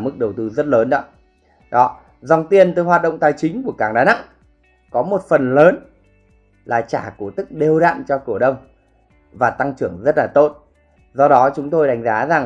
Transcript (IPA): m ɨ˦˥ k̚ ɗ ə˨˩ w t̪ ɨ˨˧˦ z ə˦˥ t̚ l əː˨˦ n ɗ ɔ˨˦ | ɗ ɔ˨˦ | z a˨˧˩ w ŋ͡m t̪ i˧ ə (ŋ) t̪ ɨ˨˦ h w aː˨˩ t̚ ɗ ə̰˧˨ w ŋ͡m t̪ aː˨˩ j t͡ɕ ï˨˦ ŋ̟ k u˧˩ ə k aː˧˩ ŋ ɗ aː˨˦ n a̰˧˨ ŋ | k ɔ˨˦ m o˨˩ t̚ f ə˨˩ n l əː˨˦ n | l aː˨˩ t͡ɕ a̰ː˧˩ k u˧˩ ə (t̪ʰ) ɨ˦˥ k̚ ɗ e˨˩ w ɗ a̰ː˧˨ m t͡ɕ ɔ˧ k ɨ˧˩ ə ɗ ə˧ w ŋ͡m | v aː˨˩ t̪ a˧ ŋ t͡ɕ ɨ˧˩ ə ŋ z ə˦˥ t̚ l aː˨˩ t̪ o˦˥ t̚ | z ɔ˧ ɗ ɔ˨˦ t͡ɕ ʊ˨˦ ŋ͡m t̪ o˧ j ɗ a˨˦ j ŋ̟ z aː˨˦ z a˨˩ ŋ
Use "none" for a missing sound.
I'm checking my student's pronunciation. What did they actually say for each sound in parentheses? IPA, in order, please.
n, t̪

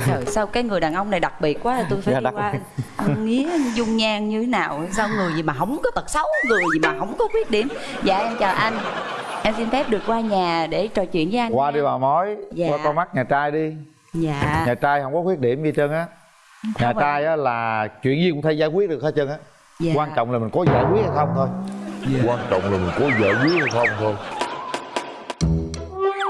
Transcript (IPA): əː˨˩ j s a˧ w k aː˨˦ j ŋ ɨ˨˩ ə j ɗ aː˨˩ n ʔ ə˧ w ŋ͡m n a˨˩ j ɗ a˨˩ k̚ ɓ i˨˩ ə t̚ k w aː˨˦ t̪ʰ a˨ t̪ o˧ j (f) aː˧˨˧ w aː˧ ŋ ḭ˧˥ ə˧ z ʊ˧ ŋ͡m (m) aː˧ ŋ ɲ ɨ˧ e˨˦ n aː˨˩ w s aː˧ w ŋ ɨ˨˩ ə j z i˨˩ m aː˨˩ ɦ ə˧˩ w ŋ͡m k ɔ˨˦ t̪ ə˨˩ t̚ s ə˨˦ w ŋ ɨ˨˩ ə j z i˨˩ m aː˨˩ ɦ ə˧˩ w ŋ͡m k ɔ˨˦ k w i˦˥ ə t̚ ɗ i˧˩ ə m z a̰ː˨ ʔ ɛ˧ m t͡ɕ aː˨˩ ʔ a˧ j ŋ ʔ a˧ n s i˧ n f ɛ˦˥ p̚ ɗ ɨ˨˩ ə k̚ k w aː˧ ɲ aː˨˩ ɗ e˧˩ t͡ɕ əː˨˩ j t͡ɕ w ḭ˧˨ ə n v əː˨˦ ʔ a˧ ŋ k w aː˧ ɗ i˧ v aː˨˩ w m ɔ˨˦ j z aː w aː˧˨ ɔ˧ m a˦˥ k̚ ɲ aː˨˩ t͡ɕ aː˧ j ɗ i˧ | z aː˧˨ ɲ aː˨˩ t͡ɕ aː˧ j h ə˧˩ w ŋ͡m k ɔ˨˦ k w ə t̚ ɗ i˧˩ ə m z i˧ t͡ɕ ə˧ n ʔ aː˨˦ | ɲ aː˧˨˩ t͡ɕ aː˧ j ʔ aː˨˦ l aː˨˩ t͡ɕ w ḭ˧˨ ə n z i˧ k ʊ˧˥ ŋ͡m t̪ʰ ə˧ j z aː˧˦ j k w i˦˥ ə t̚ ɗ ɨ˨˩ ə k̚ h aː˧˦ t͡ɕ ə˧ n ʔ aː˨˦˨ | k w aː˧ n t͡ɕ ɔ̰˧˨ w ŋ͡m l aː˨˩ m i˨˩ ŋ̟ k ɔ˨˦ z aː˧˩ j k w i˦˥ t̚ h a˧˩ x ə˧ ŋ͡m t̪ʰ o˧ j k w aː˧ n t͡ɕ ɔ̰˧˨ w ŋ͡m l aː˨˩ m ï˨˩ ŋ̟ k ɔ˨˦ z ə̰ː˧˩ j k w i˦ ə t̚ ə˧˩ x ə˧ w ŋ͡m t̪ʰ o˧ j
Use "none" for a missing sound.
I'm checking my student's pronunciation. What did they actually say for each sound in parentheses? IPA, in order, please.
f, ɲ

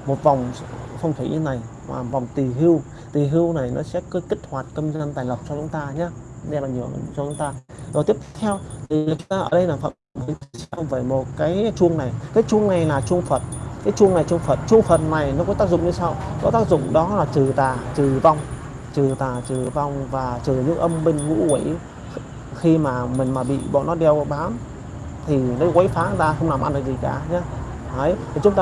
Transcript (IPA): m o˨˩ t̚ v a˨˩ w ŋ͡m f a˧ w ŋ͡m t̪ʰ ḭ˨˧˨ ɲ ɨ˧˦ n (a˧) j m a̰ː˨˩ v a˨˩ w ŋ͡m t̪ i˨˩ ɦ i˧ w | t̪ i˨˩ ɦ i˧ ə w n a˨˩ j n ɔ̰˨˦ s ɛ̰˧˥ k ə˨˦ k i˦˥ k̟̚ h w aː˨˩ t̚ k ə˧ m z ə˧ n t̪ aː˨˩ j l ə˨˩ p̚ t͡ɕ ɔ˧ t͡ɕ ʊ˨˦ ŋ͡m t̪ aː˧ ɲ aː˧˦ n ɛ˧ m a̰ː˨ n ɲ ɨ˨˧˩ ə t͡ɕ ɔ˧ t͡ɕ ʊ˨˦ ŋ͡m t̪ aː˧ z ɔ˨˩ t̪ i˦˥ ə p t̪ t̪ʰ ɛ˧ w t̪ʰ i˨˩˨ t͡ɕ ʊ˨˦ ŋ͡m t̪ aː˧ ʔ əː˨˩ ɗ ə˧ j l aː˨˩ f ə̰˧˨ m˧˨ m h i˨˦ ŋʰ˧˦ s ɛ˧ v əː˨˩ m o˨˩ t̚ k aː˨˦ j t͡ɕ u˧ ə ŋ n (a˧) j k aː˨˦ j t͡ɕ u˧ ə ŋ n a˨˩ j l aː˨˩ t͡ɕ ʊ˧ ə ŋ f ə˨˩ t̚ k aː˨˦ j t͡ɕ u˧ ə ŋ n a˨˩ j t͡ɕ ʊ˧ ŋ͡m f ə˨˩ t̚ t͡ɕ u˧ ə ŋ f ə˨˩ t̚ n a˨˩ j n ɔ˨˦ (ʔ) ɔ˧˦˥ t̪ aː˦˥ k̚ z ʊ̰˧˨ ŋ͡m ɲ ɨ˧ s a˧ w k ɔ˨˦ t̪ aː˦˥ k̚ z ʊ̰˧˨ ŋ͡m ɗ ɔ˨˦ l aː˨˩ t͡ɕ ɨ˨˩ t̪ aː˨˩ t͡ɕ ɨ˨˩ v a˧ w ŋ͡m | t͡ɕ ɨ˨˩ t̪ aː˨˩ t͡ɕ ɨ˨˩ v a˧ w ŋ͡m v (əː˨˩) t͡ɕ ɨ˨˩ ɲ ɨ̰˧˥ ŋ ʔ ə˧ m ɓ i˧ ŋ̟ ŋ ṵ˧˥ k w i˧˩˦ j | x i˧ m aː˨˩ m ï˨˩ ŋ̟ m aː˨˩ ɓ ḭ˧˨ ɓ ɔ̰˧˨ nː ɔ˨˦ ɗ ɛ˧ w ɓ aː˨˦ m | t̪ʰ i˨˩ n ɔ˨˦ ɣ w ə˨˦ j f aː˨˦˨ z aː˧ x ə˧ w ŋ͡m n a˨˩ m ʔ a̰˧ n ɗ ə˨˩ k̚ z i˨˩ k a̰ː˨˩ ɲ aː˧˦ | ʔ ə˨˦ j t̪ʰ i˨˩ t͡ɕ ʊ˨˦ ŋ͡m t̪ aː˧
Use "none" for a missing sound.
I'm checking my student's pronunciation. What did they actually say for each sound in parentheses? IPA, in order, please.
a˨˩, a˨˩, k, aː˨˩

